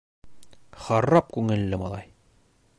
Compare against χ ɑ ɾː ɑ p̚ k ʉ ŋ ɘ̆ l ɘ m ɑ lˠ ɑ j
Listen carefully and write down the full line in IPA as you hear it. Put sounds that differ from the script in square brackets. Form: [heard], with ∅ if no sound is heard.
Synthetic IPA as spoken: χ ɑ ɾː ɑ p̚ k ʉ ŋ ɘ̆ [lː] ɘ m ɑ lˠ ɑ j